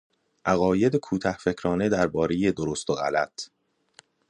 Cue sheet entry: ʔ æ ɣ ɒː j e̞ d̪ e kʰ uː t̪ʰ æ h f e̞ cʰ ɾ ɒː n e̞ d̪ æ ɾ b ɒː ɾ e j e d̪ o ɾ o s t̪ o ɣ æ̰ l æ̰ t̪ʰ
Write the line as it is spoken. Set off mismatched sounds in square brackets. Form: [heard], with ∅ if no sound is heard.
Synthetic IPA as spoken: ʔ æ ɣ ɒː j e̞ d̪ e kʰ uː t̪ʰ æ h f e̞ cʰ ɾ ɒː n e̞ d̪ æ ɾ b ɒː ɾ e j e d̪ o ɾ o s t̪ o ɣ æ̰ l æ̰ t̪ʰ